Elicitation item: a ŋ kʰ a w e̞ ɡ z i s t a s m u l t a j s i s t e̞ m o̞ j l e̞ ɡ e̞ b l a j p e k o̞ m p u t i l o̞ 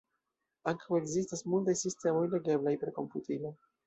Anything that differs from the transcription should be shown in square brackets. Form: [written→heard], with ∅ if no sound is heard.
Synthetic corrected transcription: a ŋ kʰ a w e̞ ɡ z i s t a s m u l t a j s i s t e̞ m o̞ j l e̞ ɡ e̞ b l a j p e k o̞ m p u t i l o̞

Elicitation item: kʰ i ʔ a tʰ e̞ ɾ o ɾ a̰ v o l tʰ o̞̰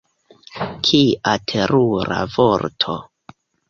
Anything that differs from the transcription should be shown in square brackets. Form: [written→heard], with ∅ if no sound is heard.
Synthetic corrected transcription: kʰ i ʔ a tʰ e̞ ɾ [o→u] ɾ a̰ v o [l→ɾ] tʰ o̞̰

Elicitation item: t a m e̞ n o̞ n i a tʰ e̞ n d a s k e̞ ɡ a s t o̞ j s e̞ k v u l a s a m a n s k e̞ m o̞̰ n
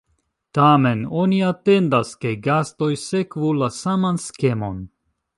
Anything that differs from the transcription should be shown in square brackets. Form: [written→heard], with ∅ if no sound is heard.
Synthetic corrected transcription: t a m e̞ n o̞ n i a [tʰ→t] e̞ n d a s k e̞ ɡ a s t o̞ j s e̞ k v u l a s a m a n s k e̞ m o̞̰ n

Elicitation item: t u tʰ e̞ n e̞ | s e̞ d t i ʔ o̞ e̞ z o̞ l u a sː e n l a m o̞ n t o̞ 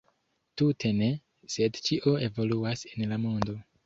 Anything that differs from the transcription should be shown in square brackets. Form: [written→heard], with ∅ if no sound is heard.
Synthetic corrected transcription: t u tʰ e̞ n e̞ | s e̞ d [t→t͡ʃ] i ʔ o̞ e̞ [z→v] o̞ l u a [sː→s] e n l a m o̞ n [t→d] o̞

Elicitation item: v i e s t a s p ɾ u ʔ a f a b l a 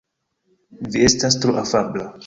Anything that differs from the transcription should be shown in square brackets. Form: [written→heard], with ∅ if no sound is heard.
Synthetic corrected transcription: v i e s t a s [p→t] ɾ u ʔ a f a b l a

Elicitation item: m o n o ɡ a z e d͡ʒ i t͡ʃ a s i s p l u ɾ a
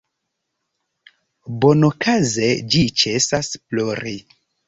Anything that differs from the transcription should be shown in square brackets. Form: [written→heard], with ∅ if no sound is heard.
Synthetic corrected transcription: [m→b] o n o [ɡ→k] a z e d͡ʒ i t͡ʃ [a→e] s [i→a] s p l [u→o] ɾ [a→i]

